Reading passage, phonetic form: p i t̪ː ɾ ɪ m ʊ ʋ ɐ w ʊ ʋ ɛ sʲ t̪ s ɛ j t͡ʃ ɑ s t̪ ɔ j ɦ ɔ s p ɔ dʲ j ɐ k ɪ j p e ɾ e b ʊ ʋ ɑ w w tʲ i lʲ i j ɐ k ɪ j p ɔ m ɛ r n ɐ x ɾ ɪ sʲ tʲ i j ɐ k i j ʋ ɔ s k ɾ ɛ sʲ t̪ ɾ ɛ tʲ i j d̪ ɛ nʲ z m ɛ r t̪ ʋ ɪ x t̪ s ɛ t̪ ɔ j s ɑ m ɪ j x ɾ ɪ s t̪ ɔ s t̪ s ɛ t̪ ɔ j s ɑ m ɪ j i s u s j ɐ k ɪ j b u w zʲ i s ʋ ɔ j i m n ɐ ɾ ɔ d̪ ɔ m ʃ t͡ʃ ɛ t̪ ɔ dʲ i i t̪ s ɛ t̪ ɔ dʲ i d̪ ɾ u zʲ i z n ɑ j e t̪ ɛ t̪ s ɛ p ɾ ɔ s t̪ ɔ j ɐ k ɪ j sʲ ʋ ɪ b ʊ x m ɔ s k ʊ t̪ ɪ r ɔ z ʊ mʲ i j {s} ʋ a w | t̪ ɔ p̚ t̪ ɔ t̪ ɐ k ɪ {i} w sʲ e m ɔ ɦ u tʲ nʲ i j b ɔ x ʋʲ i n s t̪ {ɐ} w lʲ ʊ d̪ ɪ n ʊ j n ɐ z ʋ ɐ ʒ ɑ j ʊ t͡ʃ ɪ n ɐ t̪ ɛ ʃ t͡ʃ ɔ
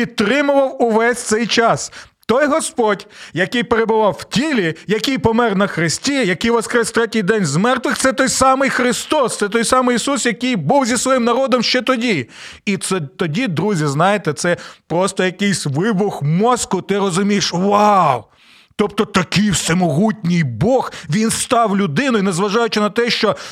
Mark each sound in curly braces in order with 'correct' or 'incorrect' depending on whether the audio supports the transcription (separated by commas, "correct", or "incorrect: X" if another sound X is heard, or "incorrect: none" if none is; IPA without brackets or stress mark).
incorrect: ʃ, incorrect: j, incorrect: ɑ